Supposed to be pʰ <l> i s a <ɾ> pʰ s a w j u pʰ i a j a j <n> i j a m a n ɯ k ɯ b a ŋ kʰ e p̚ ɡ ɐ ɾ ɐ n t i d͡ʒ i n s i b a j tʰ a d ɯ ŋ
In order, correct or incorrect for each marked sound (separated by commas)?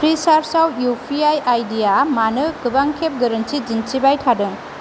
incorrect, correct, incorrect